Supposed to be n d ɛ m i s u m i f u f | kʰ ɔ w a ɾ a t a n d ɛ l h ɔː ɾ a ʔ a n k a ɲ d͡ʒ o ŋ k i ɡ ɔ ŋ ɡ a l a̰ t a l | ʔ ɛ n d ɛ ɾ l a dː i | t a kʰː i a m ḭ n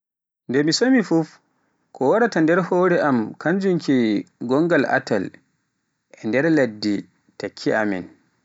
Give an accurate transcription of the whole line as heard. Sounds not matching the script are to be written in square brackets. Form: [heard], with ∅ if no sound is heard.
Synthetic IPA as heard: n d ɛ m i s [o] m i f u f | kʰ ɔ w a ɾ a t a n d ɛ [ɾ] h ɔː ɾ [ɛ] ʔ a [m] k a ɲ d͡ʒ [u] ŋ k i ɡ ɔ ŋ ɡ a l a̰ t a l | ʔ ɛ n d ɛ ɾ l a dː i | t a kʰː i a m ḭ n